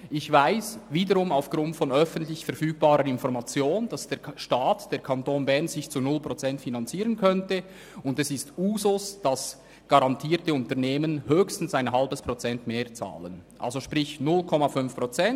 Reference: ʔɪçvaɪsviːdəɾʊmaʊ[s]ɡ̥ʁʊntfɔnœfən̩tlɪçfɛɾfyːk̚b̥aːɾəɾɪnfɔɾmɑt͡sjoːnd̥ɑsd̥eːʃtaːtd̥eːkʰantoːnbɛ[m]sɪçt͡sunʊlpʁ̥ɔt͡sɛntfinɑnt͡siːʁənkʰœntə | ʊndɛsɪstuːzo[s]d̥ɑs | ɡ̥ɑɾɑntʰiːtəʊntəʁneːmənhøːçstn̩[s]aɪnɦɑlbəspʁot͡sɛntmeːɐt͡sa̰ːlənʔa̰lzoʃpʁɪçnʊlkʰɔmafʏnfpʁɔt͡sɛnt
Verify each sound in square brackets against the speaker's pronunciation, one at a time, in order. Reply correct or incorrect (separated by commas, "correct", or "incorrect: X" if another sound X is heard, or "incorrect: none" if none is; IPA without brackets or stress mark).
incorrect: f, incorrect: n, correct, correct